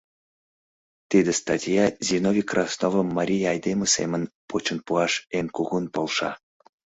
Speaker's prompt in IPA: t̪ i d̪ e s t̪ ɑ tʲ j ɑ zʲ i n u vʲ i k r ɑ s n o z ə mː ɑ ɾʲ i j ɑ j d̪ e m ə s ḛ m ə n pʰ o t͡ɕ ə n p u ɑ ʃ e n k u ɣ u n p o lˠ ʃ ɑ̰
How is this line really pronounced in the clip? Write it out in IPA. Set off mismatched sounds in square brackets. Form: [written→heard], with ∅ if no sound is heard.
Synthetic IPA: t̪ i d̪ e s t̪ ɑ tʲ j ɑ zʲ i n [u→o] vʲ i k r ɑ s n o [z→v] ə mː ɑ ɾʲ i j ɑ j d̪ e m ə s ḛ m ə n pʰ o t͡ɕ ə n p u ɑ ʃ e n k u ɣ u n p o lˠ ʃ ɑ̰